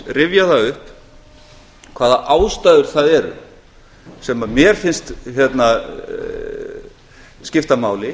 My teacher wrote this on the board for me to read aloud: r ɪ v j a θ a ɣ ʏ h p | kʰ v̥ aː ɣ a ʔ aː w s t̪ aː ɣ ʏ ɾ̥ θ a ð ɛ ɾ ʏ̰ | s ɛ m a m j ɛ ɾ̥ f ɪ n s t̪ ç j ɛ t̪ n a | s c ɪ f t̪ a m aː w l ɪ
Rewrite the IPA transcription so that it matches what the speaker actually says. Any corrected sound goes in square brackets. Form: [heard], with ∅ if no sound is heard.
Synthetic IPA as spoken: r ɪ v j a θ a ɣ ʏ h p | kʰ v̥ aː [ð] a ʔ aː w s t̪ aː [ð] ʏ ɾ̥ θ a ð ɛ ɾ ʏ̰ | s ɛ m a m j ɛ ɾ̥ f ɪ n s t̪ ç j ɛ t̪ n a | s c ɪ f t̪ a m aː w l ɪ